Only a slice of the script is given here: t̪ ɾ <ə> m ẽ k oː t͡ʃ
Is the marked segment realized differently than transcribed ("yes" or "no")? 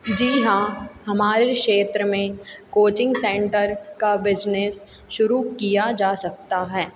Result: no